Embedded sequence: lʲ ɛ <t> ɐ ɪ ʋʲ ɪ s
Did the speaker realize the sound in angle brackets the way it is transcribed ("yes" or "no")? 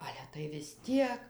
yes